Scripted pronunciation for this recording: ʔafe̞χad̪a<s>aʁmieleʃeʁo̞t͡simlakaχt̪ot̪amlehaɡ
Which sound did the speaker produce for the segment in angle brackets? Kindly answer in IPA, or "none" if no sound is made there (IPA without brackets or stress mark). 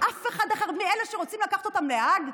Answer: χ